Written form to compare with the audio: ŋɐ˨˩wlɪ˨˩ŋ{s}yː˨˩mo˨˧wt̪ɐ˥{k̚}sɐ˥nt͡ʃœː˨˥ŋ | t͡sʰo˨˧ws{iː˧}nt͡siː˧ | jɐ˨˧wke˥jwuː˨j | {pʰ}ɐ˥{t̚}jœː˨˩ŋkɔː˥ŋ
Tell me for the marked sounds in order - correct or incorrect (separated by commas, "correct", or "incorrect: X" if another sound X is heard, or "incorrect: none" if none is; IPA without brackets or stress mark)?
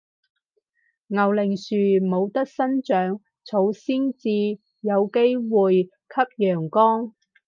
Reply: correct, correct, incorrect: iː˥, incorrect: kʰ, incorrect: p̚